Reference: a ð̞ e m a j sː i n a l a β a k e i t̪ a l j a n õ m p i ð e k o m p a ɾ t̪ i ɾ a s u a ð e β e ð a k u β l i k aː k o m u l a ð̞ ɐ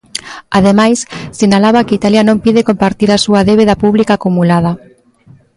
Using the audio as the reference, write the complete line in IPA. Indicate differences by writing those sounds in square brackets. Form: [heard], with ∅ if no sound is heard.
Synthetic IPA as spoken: a ð̞ e m a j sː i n a l a β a k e i t̪ a l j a n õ m p i ð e k o m p a ɾ t̪ i ɾ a s u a ð e β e ð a [p] u β l i k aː k [u] m u l a ð̞ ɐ